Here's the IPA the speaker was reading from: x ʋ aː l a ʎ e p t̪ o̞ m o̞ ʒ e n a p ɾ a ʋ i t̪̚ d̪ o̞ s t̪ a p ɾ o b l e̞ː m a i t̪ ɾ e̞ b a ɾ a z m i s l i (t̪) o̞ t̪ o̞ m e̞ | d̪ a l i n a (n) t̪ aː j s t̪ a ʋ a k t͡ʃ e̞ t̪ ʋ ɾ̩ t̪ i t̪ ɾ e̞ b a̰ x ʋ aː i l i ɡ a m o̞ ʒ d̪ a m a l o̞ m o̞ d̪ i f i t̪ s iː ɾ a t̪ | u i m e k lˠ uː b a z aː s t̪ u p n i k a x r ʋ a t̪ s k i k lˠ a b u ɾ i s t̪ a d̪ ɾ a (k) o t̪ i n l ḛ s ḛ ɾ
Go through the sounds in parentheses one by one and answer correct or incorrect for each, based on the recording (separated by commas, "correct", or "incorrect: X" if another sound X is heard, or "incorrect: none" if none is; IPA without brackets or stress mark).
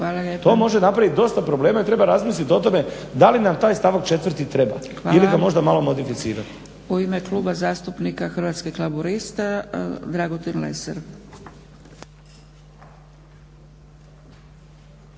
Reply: correct, incorrect: m, incorrect: ɡ